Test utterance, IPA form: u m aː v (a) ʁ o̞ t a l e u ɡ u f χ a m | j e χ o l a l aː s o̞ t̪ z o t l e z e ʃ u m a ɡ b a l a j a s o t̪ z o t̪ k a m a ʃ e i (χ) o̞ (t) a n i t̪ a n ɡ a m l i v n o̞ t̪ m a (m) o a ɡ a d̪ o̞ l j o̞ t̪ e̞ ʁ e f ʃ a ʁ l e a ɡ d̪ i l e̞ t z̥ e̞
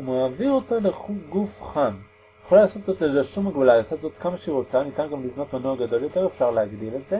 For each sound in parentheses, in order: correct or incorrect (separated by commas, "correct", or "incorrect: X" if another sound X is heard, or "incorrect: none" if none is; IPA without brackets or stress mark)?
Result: incorrect: i, incorrect: ʁ, incorrect: t͡s, incorrect: n